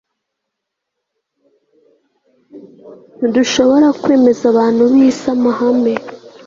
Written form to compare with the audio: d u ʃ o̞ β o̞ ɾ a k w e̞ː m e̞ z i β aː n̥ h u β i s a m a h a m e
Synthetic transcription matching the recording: d u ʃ o̞ β o̞ ɾ a k w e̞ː m e̞ z a β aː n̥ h u β i s a m a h a m e